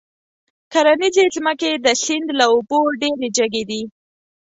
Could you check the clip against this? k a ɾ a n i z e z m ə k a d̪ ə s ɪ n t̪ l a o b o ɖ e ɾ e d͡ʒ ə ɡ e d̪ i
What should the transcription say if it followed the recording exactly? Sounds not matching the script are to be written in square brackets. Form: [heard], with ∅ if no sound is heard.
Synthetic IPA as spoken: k a ɾ a n i z e z m ə k [e] d̪ ə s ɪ n [d̪] l a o b o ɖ e ɾ e d͡ʒ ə ɡ e d̪ i